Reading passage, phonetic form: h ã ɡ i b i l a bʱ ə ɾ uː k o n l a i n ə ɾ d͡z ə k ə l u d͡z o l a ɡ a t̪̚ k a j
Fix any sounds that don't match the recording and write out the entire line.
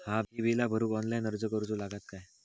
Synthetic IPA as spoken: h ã b i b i l a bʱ ə ɾ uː k ɔ n l a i n ə ɾ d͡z ə k ə ɾ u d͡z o l a ɡ a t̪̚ k a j

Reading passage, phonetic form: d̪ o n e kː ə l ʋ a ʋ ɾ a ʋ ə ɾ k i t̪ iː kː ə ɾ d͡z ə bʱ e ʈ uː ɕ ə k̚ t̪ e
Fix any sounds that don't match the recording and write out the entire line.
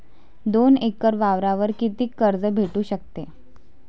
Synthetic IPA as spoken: d̪ o n e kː ə ɾ ʋ a ʋ ɾ a ʋ ə ɾ k i t̪ iː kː ə ɾ d͡z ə bʱ e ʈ uː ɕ ə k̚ t̪ e

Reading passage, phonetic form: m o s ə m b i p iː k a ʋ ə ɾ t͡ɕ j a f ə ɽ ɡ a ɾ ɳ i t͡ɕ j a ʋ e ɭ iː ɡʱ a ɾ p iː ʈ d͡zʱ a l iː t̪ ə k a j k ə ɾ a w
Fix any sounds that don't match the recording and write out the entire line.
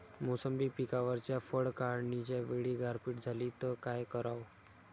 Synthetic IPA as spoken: m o s ə m b i p i k a ʋ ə ɾ t͡ɕ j a f ə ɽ k a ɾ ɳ i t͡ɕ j a ʋ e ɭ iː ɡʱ a ɾ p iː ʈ d͡zʱ a l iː t̪ ə k a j k ə ɾ a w

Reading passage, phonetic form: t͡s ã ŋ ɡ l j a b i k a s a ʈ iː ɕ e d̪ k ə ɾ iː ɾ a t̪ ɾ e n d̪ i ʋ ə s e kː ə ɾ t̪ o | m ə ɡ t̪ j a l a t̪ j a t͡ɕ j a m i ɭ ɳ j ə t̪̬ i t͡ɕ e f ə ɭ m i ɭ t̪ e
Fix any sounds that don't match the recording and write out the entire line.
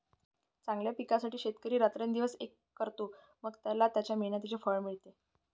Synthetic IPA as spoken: t͡s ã ŋ ɡ l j a p i k a s a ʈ iː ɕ e t̪ k ə ɾ iː ɾ a t̪ ɾ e n d̪ i ʋ ə s e kː ə ɾ t̪ o | m ə ɡ t̪ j a l a t̪ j a t͡ɕ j a m i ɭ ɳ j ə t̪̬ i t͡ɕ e f ə ɭ m i ɭ t̪ e

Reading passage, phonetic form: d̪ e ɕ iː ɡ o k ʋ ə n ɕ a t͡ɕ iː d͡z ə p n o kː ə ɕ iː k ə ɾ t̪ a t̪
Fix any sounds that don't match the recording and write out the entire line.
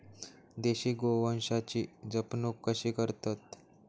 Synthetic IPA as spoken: d̪ e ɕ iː ɡ o ʋ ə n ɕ a t͡ɕ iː d͡z ə p n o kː ə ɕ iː k ə ɾ t̪ a t̪

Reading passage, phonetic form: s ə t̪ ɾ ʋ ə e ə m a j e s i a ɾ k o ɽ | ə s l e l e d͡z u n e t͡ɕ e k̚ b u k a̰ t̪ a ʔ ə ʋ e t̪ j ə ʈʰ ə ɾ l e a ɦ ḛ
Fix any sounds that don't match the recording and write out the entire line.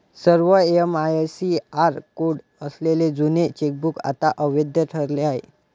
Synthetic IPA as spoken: s ə ɾ ʋ ə e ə m a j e s i a ɾ k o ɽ | ə s l e l e d͡z u n e t͡ɕ e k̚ b u k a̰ t̪ a ʔ ə ʋ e d̪ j ə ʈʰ ə ɾ l e a ɦ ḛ

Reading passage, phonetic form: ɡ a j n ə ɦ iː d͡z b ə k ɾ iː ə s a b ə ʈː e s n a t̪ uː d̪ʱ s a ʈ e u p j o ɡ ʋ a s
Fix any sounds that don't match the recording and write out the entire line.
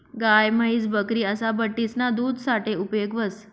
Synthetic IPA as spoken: ɡ a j m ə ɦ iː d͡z b ə k ɾ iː ə s a b ə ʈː i s n a d̪ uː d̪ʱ s a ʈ e u p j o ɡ ʋ ə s

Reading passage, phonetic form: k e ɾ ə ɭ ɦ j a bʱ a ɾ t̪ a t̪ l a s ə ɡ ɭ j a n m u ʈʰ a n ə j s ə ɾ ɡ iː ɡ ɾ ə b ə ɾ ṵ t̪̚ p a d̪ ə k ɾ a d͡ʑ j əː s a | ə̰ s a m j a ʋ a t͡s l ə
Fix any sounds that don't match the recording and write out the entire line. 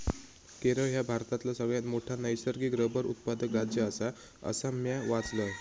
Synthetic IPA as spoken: k e ɾ ə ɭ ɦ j a bʱ a ɾ t̪ a t̪ l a s ə ɡ ɭ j a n m o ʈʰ a n ə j s ə ɾ ɡ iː ɡ ɾ ə b ə ɾ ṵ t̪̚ p a d̪ ə k ɾ a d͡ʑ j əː s a | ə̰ s a m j a ʋ a t͡s l ə

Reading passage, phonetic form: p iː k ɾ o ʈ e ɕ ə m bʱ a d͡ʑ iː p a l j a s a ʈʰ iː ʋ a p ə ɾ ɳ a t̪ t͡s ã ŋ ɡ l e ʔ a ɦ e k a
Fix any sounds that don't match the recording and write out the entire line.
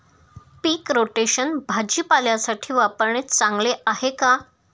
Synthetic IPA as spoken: p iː k ɾ o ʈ e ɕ ə n bʱ a d͡ʑ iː p a l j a s a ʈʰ iː ʋ a p ə ɾ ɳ e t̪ t͡s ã ŋ ɡ l e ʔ a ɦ e k a

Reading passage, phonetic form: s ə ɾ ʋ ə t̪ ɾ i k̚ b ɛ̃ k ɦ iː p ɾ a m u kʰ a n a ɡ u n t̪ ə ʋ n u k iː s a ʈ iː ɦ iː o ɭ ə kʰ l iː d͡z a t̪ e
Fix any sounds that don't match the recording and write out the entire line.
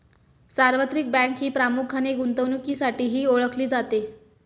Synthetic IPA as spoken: s a ɾ ʋ ə t̪ ɾ i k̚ b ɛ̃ k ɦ iː p ɾ a m u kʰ a n e ɡ u n t̪ ə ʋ n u k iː s a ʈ iː ɦ iː o ɭ ə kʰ l iː d͡z a t̪ e

